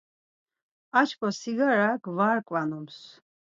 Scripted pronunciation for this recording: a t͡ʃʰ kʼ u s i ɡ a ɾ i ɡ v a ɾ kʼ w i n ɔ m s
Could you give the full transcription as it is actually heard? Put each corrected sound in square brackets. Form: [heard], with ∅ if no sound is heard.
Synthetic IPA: a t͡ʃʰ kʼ [ɔ] s i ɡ a ɾ [a] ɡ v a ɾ kʼ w [a] n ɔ m s